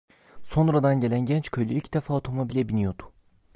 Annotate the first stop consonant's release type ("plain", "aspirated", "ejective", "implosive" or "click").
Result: plain